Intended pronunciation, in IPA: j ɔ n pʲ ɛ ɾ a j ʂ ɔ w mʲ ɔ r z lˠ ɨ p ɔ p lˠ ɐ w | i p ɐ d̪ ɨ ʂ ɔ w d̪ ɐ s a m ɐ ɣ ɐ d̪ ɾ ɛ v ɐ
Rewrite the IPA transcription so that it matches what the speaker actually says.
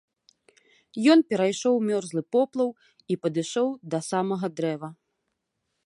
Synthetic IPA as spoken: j ɔ n pʲ ɛ ɾ a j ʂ ɔ w mʲ ɔ r z lˠ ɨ p ɔ p lˠ ɐ w | i p ɐ d̪ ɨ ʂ ɔ w d̪ ɐ s a m ɐ ɣ ɐ d̪ ɾ ɛ v ɐ